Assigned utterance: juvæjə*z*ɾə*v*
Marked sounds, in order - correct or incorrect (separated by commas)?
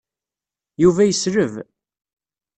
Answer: incorrect, correct